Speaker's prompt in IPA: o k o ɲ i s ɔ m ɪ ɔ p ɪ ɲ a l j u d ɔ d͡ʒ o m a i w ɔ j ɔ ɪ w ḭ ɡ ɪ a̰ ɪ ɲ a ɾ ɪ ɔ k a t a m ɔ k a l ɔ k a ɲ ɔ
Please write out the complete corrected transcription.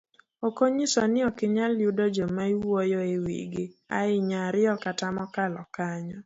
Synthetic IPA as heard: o k o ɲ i s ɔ n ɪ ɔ k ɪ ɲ a l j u d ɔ d͡ʒ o m a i w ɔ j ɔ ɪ w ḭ ɡ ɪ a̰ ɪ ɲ a ɾ ɪ ɔ k a t a m ɔ k a l ɔ k a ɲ ɔ